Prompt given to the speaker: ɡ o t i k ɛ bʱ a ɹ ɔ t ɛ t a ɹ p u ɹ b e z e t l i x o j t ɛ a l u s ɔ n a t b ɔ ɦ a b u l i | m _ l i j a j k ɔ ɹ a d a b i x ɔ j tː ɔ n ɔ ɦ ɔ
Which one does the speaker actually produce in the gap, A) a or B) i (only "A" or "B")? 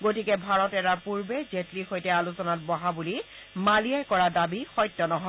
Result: A